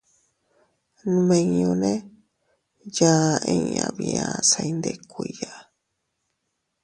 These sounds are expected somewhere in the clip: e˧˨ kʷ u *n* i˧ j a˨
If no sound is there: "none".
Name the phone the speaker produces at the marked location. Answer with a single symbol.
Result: none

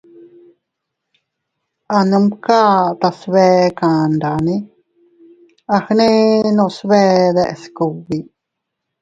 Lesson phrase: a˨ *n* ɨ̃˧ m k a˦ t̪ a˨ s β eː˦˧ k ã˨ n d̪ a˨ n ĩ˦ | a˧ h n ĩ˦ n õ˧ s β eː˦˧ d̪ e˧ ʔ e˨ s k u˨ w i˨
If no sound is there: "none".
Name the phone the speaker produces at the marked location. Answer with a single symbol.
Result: n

